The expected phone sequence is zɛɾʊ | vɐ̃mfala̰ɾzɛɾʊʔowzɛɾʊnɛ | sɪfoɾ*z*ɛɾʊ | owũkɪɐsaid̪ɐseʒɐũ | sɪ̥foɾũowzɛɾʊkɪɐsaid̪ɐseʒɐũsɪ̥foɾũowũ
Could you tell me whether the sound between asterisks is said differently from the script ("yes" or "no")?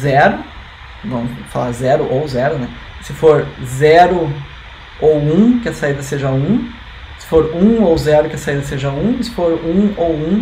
no